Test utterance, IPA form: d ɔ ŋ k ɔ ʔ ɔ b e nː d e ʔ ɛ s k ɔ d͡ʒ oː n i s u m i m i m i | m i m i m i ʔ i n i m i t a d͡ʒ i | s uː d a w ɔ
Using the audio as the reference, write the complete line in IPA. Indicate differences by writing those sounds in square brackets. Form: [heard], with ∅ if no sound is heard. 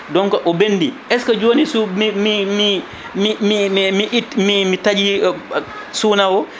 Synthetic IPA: d ɔ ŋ k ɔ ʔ ɔ b e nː d [i] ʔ ɛ s k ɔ d͡ʒ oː n i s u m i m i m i | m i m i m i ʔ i [m] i m i t a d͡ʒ i | s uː [n] a w ɔ